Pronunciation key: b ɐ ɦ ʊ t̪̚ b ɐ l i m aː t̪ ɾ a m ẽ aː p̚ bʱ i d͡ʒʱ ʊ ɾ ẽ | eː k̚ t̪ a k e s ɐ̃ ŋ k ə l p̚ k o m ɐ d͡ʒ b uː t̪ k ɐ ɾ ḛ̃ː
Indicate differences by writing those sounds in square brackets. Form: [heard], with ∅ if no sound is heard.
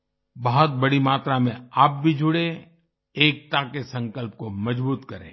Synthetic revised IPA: b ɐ ɦ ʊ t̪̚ b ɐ [ɽ] i m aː t̪ ɾ a m ẽ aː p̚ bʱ i d͡ʒʱ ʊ [ɽ] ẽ | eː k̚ t̪ a k e s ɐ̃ ŋ k ə l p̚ k o m ɐ d͡ʒ b uː t̪ k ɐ ɾ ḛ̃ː